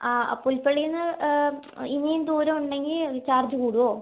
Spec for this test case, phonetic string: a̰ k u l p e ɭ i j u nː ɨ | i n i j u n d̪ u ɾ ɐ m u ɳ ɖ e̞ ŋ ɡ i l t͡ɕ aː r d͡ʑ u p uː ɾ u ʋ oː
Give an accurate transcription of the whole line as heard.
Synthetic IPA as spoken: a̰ p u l p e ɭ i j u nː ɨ | i n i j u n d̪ uː ɾ ɐ m u ɳ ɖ e̞ ŋ ɡ i l t͡ɕ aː r d͡ʑ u k uː ɽ u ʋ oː